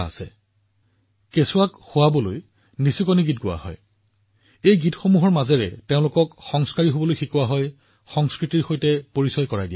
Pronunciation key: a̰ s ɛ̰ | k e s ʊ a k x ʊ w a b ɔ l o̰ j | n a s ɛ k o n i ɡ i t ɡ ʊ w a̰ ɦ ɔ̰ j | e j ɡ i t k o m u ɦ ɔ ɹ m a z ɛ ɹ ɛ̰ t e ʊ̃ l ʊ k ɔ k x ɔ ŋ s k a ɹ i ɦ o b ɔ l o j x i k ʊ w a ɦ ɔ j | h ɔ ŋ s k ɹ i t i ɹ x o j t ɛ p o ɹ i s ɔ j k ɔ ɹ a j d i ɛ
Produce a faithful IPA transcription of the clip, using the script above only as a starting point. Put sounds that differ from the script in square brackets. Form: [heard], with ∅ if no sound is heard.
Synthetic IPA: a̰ s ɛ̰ | k e s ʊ a k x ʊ w a b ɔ l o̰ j | n [i] s [i] k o n i ɡ i t ɡ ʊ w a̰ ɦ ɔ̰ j | e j ɡ i t [x] o m u ɦ ɔ ɹ m a z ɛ ɹ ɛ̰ t e ʊ̃ l ʊ k ɔ k x ɔ ŋ s k a ɹ i ɦ o b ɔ l o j x i k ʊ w a ɦ ɔ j | [x] ɔ ŋ s k ɹ i t i ɹ x o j t ɛ p o ɹ i s ɔ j k ɔ ɹ a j d i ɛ